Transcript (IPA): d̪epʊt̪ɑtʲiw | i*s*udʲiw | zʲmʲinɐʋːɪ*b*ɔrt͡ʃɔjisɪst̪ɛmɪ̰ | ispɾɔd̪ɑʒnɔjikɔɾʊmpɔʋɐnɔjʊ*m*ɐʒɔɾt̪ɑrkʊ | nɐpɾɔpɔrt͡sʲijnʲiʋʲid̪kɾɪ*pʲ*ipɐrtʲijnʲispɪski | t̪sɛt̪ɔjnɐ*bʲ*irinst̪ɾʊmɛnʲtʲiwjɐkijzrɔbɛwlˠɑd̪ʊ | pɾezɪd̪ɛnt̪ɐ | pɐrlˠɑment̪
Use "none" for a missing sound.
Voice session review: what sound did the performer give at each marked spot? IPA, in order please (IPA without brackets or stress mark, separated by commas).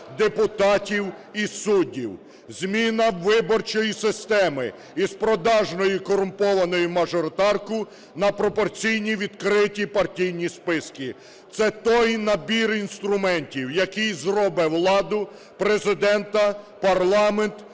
s, b, m, tʲ, bʲ